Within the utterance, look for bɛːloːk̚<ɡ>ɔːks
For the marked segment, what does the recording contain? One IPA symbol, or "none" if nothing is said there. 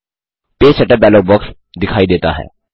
b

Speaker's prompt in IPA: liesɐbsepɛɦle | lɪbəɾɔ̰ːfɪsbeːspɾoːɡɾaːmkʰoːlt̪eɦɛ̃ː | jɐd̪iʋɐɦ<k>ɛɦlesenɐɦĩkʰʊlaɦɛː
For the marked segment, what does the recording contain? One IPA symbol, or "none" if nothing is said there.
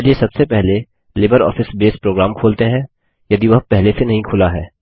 p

